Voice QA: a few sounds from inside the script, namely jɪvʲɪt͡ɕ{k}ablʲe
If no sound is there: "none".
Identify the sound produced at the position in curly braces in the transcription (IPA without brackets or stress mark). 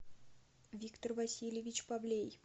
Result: p